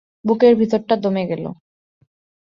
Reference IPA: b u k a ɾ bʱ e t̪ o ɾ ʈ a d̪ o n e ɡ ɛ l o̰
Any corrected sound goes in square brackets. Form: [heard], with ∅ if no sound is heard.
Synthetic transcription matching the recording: b u k [e] ɾ bʱ [i] t̪ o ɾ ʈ a d̪ o [m] e ɡ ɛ l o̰